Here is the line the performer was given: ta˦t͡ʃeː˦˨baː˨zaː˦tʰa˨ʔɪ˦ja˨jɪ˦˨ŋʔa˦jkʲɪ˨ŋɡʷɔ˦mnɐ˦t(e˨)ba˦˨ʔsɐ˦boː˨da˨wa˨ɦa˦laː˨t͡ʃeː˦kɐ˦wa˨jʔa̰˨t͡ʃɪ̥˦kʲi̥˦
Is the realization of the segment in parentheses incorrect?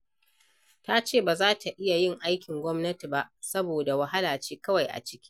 yes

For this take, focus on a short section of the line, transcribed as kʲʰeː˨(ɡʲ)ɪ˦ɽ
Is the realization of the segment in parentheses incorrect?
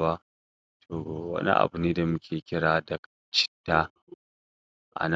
yes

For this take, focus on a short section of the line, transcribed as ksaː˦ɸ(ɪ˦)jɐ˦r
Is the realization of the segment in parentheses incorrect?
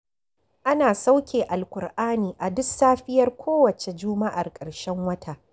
no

